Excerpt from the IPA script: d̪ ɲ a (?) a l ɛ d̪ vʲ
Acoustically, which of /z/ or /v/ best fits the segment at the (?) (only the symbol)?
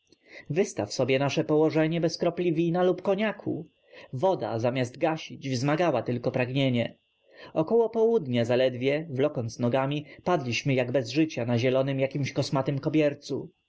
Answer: z